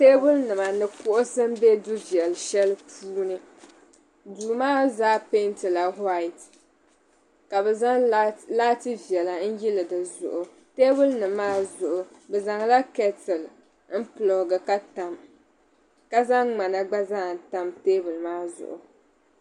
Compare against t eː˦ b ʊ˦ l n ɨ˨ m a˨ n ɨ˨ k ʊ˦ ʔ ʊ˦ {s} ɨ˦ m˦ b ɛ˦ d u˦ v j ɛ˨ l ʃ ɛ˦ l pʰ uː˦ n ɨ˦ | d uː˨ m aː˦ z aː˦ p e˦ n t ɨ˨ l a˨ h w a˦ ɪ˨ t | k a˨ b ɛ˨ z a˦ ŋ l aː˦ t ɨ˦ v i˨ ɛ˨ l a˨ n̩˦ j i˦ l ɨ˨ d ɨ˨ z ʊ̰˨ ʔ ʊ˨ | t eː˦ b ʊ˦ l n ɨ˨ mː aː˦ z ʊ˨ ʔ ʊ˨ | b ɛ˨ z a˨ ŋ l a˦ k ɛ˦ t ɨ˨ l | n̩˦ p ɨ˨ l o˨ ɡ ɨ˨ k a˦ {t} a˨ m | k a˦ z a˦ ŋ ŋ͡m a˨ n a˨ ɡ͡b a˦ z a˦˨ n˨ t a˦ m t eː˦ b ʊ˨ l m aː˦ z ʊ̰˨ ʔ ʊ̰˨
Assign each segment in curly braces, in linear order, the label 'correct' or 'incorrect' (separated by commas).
correct, correct